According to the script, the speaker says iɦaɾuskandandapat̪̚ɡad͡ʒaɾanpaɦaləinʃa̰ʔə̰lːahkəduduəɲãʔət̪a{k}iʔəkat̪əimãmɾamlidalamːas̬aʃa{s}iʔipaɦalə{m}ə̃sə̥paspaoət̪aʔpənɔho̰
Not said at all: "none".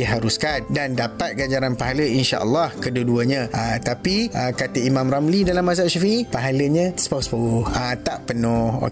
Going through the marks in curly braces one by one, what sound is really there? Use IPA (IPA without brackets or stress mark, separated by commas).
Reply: p, f, ɲ